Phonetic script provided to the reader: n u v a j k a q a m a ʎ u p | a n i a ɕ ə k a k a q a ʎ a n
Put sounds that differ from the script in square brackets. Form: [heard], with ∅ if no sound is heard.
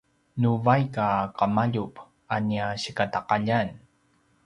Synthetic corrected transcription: n u v a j k a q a m a ʎ u p | a n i a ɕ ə k a [t] a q a ʎ a n